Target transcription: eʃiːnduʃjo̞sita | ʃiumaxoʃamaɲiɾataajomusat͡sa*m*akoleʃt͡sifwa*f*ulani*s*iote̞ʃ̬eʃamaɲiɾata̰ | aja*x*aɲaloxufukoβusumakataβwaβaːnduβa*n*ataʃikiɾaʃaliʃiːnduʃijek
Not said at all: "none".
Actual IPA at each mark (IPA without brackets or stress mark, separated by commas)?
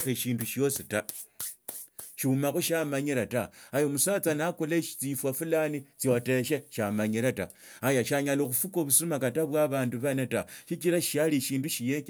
n, f, t͡s, ʃ, n